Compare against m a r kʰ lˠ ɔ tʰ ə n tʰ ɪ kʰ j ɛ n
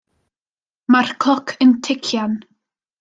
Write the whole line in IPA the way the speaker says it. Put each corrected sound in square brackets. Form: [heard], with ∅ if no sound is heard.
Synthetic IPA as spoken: m a r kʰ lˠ ɔ [kʰ] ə n tʰ ɪ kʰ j [a] n